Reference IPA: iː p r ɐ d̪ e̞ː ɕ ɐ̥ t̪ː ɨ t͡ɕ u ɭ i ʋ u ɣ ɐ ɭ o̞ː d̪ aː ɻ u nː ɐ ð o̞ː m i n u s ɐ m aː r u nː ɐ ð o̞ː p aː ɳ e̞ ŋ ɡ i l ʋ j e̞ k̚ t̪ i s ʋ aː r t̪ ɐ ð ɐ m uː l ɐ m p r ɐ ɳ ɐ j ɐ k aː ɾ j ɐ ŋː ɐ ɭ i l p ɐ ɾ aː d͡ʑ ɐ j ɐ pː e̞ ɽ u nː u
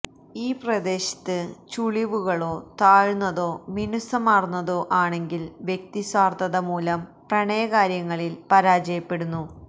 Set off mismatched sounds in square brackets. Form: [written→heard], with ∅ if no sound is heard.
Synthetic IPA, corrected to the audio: iː p r ɐ d̪ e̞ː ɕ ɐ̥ t̪ː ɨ t͡ɕ u ɭ i ʋ u ɣ ɐ ɭ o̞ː [d̪→t̪] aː ɻ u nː ɐ ð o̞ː m i n u s ɐ m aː r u nː ɐ ð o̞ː [p→ʔ] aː ɳ e̞ ŋ ɡ i l ʋ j e̞ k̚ t̪ i s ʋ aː r t̪ ɐ ð ɐ m uː l ɐ m p r ɐ ɳ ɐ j ɐ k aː ɾ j ɐ ŋː ɐ ɭ i l p ɐ ɾ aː d͡ʑ ɐ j ɐ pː e̞ ɽ u nː u

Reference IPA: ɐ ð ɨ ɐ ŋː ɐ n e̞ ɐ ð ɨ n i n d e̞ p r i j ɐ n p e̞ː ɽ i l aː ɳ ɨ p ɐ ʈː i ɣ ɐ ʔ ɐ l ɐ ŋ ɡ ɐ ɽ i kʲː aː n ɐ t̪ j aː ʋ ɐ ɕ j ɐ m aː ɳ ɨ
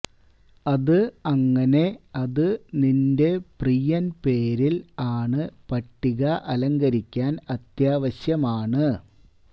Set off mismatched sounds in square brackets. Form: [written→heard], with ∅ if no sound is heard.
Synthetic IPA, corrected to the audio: ɐ ð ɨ ɐ ŋː ɐ n e̞ ɐ ð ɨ n i n d e̞ p r i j ɐ n p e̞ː [ɽ→ɾ] i l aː ɳ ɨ p ɐ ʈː i ɣ ɐ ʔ ɐ l ɐ ŋ ɡ ɐ [ɽ→ɾ] i kʲː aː n ɐ t̪ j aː ʋ ɐ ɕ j ɐ m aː ɳ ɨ

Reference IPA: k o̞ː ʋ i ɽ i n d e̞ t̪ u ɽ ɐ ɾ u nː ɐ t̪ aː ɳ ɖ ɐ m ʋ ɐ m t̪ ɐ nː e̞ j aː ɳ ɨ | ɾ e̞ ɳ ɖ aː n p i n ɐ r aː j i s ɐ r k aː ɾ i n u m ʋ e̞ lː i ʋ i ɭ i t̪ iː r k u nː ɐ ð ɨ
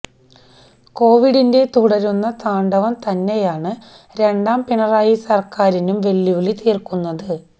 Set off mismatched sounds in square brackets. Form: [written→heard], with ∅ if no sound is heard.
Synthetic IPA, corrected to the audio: k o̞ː ʋ i ɽ i n d e̞ t̪ u ɽ ɐ ɾ u nː ɐ t̪ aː ɳ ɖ ɐ [m→∅] ʋ ɐ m t̪ ɐ nː e̞ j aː ɳ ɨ | ɾ e̞ ɳ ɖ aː [n→m] p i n ɐ r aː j i s ɐ r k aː ɾ i n u m ʋ e̞ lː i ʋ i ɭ i t̪ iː r k u nː ɐ ð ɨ

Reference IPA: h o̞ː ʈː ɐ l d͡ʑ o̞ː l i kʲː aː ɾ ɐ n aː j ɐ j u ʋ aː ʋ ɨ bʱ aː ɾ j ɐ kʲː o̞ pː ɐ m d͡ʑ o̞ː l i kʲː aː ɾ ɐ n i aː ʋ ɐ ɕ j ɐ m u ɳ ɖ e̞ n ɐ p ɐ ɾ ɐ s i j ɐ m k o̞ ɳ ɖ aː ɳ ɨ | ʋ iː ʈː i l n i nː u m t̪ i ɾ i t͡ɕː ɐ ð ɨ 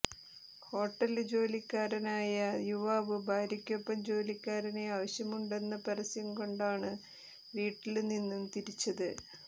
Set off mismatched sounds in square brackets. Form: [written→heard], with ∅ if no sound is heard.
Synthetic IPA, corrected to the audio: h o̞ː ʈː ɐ l d͡ʑ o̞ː l i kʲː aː ɾ ɐ n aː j ɐ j u ʋ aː ʋ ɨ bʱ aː ɾ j ɐ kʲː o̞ pː ɐ m d͡ʑ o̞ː l i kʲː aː ɾ ɐ n [i→e] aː ʋ ɐ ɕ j ɐ m u ɳ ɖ e̞ [n→nː] ɐ p ɐ ɾ ɐ s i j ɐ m k o̞ ɳ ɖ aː ɳ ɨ | ʋ iː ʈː i l n i nː u m t̪ i ɾ i t͡ɕː ɐ ð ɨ

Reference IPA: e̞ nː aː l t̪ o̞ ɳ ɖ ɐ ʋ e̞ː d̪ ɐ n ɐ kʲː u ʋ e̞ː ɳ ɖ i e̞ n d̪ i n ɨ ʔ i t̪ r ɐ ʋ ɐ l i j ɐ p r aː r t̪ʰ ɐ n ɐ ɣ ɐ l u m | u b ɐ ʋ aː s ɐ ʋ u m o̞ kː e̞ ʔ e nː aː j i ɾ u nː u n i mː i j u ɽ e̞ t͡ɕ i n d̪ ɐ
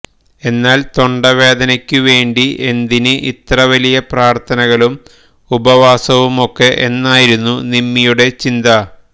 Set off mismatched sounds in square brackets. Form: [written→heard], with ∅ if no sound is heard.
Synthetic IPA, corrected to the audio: e̞ nː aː l t̪ o̞ ɳ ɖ ɐ ʋ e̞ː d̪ ɐ n ɐ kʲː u ʋ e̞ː ɳ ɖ i e̞ n d̪ i n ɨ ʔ i t̪ r ɐ ʋ ɐ l i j ɐ p r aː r t̪ʰ ɐ n ɐ ɣ ɐ [l→ɭ] u m | u b ɐ ʋ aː s ɐ ʋ u m o̞ kː e̞ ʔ e nː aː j i ɾ u nː u n i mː i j u ɽ e̞ t͡ɕ i n d̪ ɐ

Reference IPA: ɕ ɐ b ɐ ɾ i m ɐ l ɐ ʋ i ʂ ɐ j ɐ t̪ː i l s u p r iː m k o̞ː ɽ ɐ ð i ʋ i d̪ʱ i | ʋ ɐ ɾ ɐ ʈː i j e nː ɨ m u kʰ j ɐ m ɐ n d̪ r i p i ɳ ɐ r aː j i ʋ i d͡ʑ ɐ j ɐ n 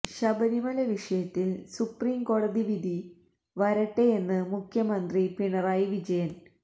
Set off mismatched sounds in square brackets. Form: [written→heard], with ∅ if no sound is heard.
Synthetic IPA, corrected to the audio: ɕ ɐ b ɐ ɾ i m ɐ l ɐ ʋ i ʂ ɐ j ɐ t̪ː i l s u p r iː m k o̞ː ɽ ɐ ð i ʋ i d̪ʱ i | ʋ ɐ ɾ ɐ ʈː [i→e] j e nː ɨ m u kʰ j ɐ m ɐ n d̪ r i p i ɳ ɐ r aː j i ʋ i d͡ʑ ɐ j ɐ n

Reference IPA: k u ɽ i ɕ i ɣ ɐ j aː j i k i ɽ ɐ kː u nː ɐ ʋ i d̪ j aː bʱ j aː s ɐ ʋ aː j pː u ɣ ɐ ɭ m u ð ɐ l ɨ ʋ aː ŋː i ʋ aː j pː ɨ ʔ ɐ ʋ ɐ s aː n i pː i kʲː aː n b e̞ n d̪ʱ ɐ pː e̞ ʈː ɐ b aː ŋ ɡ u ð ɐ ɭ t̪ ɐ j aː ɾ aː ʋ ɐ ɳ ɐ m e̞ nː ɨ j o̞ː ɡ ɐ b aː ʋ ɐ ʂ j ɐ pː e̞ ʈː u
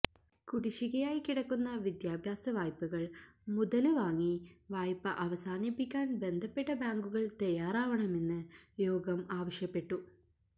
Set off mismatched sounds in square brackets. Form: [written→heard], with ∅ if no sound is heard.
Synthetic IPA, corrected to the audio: k u ɽ i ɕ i ɣ ɐ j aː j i k i ɽ ɐ kː u nː ɐ ʋ i d̪ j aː bʱ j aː s ɐ ʋ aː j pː u ɣ ɐ ɭ m u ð ɐ l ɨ ʋ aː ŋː i ʋ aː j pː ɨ ʔ ɐ ʋ ɐ s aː n i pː i kʲː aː n b e̞ n d̪ʱ ɐ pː e̞ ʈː ɐ b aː ŋ ɡ u [ð→ɣ] ɐ ɭ t̪ ɐ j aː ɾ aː ʋ ɐ ɳ ɐ m e̞ nː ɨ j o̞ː ɡ ɐ [b→m] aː ʋ ɐ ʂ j ɐ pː e̞ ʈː u

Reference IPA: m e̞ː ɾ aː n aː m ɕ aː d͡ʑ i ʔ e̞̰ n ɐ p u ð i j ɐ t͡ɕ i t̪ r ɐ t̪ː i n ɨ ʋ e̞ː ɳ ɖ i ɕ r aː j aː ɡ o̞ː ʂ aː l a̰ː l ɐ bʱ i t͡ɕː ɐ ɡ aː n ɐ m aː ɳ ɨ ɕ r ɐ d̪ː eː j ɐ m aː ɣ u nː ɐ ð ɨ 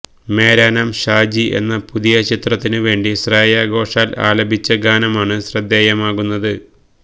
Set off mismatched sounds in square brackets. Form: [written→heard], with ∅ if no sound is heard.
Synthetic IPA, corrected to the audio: m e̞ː ɾ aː n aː m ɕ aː d͡ʑ i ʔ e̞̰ [n→nː] ɐ p u ð i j ɐ t͡ɕ i t̪ r ɐ t̪ː i n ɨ ʋ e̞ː ɳ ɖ i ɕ r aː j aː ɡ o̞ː ʂ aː l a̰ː l ɐ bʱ i t͡ɕː ɐ ɡ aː n ɐ m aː ɳ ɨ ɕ r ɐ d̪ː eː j ɐ m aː ɣ u nː ɐ ð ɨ

